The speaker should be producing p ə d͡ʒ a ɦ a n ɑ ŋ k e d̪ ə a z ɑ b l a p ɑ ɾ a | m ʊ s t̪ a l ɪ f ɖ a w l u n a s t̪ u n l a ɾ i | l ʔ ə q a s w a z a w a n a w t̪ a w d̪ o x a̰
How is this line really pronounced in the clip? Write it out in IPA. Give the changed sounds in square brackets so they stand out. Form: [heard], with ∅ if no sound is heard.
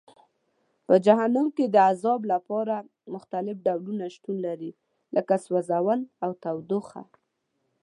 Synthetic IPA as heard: p ə d͡ʒ a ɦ a n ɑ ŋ k e d̪ ə a z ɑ b l a p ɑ ɾ a | m ʊ [x] t̪ a l ɪ f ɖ a w l u n a [ʃ] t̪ u n l a ɾ i | l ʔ ə [k] a s w a z a w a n a w t̪ a w d̪ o x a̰